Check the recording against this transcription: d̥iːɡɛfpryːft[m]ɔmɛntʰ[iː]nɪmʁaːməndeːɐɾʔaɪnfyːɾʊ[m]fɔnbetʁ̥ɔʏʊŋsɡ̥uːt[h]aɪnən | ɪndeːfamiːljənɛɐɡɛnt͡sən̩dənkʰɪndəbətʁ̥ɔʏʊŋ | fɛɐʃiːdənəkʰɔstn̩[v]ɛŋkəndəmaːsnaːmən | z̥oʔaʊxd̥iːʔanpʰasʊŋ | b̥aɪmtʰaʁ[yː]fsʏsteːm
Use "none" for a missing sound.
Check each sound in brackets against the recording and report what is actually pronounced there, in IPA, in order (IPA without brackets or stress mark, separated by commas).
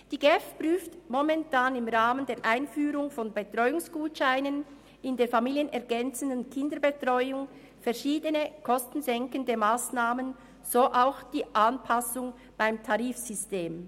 m, aː, ŋ, ʃ, z, iː